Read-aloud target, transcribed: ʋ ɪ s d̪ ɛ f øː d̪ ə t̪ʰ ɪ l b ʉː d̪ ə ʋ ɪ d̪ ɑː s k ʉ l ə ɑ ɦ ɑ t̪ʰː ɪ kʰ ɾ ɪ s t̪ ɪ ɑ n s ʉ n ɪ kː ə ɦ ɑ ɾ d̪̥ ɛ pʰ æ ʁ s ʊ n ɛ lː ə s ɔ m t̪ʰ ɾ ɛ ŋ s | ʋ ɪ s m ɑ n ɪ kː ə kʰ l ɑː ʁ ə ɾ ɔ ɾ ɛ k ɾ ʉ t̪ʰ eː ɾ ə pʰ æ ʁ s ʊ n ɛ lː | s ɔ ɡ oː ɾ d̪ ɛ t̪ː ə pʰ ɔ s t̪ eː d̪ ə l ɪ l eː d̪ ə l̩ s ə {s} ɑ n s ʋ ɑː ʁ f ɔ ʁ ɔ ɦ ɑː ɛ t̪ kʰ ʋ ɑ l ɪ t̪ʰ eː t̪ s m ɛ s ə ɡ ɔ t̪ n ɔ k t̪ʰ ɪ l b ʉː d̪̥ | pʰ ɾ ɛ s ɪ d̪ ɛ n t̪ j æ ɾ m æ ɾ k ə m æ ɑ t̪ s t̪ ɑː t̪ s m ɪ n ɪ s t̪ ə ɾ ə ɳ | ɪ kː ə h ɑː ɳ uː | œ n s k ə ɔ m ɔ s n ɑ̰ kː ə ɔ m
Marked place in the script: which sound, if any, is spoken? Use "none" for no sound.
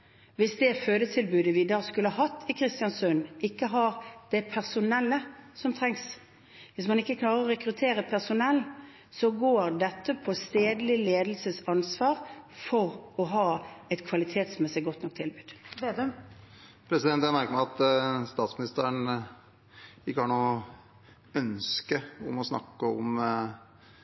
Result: s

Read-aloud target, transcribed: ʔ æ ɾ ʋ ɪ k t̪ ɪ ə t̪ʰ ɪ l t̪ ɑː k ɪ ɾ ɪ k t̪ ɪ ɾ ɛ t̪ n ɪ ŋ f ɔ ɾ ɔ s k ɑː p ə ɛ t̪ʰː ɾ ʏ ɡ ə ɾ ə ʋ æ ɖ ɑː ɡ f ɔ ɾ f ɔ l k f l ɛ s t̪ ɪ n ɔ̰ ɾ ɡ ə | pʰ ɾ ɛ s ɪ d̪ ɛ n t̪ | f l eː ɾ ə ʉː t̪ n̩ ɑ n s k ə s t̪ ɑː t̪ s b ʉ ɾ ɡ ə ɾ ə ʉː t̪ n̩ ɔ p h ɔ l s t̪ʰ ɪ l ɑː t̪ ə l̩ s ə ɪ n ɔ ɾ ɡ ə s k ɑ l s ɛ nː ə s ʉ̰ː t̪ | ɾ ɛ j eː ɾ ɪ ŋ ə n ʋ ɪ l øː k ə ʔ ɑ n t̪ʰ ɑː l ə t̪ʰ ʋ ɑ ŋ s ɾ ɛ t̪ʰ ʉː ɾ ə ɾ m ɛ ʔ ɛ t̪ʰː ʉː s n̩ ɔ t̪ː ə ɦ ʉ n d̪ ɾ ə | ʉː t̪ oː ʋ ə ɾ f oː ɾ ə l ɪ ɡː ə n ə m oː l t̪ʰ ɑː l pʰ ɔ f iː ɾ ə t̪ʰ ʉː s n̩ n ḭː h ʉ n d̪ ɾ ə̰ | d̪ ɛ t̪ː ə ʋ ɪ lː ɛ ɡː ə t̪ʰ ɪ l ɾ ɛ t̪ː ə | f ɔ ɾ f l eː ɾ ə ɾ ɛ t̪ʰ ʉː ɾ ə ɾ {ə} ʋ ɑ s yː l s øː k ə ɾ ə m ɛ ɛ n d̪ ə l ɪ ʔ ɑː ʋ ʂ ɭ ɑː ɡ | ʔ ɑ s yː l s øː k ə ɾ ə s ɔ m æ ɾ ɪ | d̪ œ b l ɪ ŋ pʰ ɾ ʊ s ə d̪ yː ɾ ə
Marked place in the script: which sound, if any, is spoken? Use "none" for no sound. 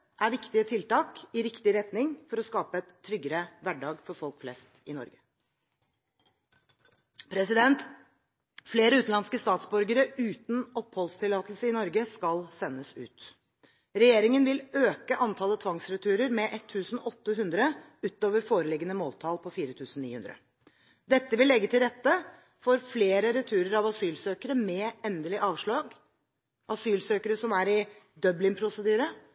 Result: ɑ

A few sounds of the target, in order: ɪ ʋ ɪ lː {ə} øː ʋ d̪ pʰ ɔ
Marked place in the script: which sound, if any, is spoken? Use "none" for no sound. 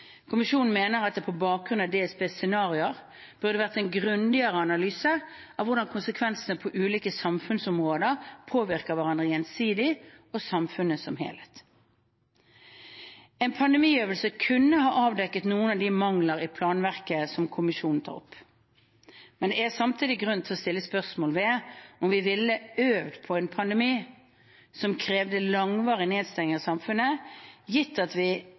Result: ə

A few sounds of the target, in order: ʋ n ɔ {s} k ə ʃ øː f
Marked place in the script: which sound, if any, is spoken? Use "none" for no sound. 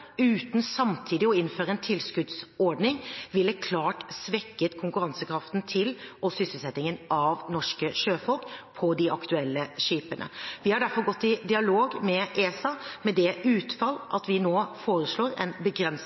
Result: ʂ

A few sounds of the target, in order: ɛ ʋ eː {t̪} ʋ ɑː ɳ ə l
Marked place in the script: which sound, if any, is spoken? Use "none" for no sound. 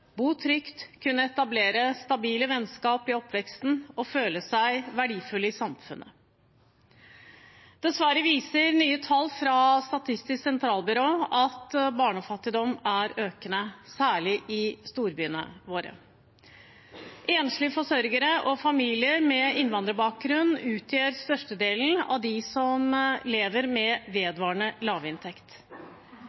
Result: d̪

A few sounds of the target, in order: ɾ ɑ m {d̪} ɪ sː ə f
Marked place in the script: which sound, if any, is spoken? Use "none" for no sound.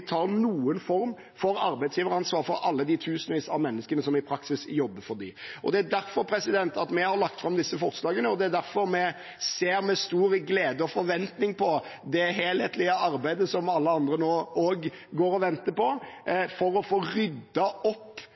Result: d̪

